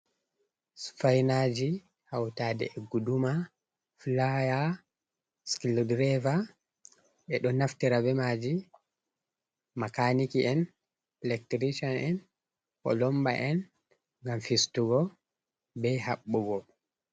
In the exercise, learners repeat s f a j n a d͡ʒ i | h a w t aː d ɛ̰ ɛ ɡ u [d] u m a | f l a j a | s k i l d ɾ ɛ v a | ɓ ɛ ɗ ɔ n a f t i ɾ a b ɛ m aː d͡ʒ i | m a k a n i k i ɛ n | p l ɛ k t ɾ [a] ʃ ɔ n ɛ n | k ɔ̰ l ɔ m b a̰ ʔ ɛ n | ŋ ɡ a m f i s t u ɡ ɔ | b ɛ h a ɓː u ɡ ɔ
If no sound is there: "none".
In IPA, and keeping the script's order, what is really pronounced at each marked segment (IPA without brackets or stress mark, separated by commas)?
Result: d, i